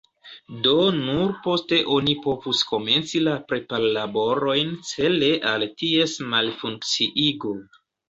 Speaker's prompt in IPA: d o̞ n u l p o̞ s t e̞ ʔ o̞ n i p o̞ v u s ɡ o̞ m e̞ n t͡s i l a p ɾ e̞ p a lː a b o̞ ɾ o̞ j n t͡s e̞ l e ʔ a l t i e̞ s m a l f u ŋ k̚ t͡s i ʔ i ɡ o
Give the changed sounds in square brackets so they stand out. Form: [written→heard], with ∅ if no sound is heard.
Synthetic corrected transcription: d o̞ n u [l→ɾ] p o̞ s t e̞ ʔ o̞ n i p o̞ v u s [ɡ→k] o̞ m e̞ n t͡s i l a p ɾ e̞ p a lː a b o̞ ɾ o̞ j n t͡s e̞ l e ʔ a l t i e̞ s m a l f u ŋ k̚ t͡s i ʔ i ɡ o